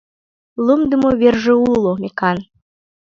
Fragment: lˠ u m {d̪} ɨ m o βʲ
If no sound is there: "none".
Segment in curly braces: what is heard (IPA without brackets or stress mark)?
d̪